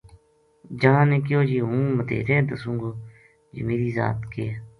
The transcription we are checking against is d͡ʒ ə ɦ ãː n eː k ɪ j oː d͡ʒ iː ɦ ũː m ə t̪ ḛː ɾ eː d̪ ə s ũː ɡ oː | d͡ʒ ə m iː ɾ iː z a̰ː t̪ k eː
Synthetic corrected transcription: d͡ʒ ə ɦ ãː n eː k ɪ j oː d͡ʒ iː ɦ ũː m ə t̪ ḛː ɾ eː d̪ ə s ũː ɡ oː | d͡ʒ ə m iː ɾ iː z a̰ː t̪ k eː